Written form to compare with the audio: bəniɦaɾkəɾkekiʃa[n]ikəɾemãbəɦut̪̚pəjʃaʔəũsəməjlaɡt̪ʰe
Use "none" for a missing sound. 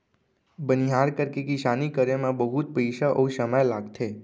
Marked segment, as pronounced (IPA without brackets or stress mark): n